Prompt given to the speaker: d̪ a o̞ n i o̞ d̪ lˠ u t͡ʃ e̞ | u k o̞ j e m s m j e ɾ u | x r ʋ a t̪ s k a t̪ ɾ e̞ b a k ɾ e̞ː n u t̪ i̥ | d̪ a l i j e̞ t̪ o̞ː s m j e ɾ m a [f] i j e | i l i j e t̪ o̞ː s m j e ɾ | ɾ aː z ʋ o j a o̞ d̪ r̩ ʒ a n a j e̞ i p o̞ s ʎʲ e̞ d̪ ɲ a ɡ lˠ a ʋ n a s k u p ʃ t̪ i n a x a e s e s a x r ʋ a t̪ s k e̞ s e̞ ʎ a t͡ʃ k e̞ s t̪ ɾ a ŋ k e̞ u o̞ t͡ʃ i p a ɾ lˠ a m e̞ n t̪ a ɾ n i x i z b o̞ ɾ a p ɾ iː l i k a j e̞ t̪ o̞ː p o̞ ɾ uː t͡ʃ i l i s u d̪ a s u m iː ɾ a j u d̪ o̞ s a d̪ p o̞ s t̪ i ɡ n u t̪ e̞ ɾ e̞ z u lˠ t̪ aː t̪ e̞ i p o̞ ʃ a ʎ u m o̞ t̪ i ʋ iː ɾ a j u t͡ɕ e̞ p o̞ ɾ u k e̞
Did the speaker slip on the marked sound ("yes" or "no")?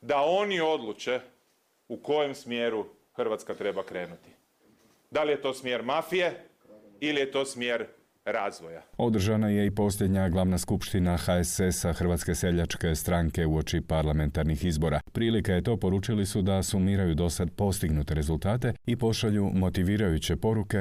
no